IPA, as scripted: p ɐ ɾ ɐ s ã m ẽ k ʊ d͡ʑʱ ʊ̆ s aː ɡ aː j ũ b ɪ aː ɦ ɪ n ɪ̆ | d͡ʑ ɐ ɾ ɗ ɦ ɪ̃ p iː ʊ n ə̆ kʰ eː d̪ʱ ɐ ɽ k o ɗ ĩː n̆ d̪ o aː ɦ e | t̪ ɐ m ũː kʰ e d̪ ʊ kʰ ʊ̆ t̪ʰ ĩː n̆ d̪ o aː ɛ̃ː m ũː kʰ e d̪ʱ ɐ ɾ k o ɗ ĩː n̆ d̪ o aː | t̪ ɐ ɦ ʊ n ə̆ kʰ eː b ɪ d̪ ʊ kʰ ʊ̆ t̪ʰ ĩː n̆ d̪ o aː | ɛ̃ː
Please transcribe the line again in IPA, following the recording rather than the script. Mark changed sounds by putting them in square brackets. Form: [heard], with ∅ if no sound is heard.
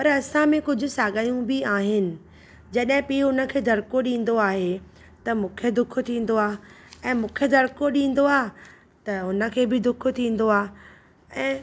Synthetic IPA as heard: p ɐ ɾ ɐ s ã m ẽ k ʊ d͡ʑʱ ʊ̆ s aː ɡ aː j ũ b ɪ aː ɦ ɪ n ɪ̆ | d͡ʑ ɐ [∅] ɗ ɦ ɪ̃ p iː ʊ n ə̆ kʰ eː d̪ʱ ɐ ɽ k o ɗ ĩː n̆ d̪ o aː ɦ e | t̪ ɐ m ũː kʰ e d̪ ʊ kʰ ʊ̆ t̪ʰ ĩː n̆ d̪ o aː ɛ̃ː m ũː kʰ e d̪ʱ ɐ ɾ k o ɗ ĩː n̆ d̪ o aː | t̪ ɐ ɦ ʊ n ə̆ kʰ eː b ɪ d̪ ʊ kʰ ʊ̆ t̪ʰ ĩː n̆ d̪ o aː | ɛ̃ː

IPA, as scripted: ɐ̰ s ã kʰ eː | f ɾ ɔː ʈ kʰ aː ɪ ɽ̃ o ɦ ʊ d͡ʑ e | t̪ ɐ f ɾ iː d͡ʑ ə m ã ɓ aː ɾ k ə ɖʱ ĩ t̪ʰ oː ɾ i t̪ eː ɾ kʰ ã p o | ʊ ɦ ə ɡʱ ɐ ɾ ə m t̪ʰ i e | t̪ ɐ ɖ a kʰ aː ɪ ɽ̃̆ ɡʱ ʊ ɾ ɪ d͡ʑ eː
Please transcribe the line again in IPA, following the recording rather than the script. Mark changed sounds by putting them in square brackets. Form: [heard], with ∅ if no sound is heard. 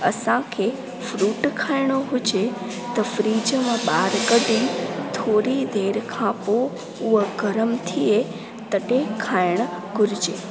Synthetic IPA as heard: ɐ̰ s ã kʰ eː | f ɾ [uː] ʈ kʰ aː ɪ ɽ̃ o ɦ ʊ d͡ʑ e | t̪ ɐ f ɾ iː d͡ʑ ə m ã ɓ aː ɾ k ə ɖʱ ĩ t̪ʰ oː ɾ i [d̪] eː ɾ kʰ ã p o | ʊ ɦ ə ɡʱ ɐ ɾ ə m t̪ʰ i e | t̪ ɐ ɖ [e] kʰ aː ɪ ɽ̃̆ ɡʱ ʊ ɾ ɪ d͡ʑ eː

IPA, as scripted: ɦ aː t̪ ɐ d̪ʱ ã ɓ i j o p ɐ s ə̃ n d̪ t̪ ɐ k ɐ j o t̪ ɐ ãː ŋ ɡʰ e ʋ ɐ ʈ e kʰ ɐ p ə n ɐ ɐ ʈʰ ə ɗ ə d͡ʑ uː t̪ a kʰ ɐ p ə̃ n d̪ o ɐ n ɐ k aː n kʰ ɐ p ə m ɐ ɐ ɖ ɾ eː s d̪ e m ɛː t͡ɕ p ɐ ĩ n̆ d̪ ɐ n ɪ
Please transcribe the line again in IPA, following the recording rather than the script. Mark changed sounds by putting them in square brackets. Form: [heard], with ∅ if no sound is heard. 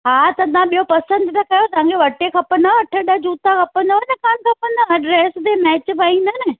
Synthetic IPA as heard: ɦ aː t̪ ɐ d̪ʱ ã ɓ i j o p ɐ s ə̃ n d̪ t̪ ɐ k ɐ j o t̪ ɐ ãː ŋ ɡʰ e ʋ ɐ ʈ e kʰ ɐ p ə n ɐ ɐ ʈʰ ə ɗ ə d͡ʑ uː t̪ a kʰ ɐ p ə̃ n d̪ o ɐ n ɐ k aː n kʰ ɐ p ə [n] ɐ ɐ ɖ ɾ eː s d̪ e m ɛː t͡ɕ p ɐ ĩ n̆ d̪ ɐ n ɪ

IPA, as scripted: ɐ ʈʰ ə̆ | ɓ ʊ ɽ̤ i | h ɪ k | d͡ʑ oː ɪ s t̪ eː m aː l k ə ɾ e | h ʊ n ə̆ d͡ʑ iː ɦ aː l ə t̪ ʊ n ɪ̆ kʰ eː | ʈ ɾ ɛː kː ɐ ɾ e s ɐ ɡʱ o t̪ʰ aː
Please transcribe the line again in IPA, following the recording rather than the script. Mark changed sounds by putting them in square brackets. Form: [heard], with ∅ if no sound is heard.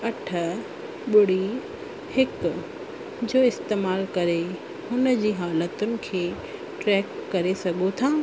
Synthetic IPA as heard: ɐ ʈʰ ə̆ | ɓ ʊ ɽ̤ i | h ɪ k | d͡ʑ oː ɪ s t̪ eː m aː l k [ɐ] ɾ e | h ʊ n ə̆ d͡ʑ iː ɦ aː l ə t̪ ʊ n ɪ̆ kʰ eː | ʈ ɾ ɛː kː ɐ ɾ e s ɐ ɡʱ o t̪ʰ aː

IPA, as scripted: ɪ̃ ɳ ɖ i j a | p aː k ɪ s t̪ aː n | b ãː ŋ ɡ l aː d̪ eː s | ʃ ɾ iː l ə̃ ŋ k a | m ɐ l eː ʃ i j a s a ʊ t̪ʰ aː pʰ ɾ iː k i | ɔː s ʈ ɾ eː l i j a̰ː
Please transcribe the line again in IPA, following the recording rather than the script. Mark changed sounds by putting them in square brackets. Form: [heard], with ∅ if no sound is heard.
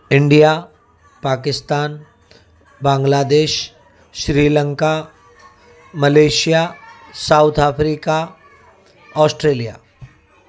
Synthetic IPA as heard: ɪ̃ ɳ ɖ i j a | p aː k ɪ s t̪ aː n | b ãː ŋ ɡ l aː d̪ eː [ʃ] | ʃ ɾ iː l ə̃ ŋ k a | m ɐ l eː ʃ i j a s a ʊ t̪ʰ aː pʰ ɾ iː k [a] | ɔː s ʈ ɾ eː l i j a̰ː

